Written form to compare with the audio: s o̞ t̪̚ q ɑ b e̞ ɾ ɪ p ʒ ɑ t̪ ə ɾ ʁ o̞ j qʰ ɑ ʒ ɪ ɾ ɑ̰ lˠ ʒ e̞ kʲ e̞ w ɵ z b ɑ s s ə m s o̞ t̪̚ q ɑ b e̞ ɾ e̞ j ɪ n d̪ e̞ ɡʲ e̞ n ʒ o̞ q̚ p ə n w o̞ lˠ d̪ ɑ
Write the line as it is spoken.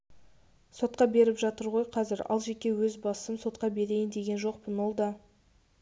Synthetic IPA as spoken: s o̞ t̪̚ q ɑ b e̞ ɾ ɪ p ʒ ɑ t̪ ə ɾ ʁ o̞ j qʰ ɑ z ɪ ɾ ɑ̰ lˠ ʒ e̞ kʲ e̞ w ɵ z b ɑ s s ə m s o̞ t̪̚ q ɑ b e̞ ɾ e̞ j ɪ n d̪ e̞ ɡʲ e̞ n ʒ o̞ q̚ p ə n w o̞ lˠ d̪ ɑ